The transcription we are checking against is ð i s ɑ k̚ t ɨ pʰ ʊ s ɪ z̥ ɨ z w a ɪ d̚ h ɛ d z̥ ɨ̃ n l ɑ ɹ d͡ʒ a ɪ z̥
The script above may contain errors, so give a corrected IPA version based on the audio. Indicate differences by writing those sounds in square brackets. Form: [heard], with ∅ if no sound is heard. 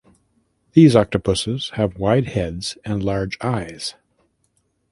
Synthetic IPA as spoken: ð i [z] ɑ k̚ t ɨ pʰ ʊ s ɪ z̥ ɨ [v] w a ɪ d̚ h ɛ d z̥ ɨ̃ n l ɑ ɹ d͡ʒ a ɪ z̥